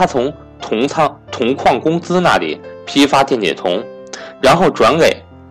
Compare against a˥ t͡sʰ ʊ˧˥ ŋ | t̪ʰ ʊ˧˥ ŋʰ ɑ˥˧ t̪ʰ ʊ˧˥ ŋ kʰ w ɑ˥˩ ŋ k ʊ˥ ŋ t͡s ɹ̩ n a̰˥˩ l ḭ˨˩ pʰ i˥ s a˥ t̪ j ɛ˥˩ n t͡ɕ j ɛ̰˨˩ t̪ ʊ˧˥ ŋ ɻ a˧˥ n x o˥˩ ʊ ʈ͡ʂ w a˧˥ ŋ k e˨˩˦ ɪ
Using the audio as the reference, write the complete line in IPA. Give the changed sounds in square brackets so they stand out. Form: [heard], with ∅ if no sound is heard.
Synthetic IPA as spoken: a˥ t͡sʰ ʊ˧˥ ŋ | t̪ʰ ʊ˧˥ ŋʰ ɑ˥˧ t̪ʰ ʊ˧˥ ŋ kʰ w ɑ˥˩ ŋ k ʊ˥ ŋ t͡s ɹ̩ n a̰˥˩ l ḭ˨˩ pʰ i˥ [f] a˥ t̪ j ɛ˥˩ n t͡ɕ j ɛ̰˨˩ [t̪ʰ] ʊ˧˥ ŋ ɻ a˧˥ n x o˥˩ ʊ ʈ͡ʂ w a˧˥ [n] k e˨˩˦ ɪ